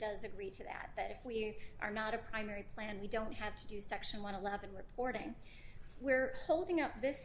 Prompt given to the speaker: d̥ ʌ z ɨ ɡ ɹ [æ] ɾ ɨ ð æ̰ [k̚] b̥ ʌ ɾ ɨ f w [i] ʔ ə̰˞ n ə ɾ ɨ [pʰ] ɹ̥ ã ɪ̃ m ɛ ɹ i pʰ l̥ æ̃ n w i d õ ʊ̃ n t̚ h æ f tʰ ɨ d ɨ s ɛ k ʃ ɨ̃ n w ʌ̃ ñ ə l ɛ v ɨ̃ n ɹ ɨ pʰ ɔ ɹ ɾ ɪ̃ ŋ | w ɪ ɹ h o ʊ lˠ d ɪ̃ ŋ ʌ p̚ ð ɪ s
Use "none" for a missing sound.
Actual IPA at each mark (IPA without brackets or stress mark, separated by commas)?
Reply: i, t̚, i, pʰ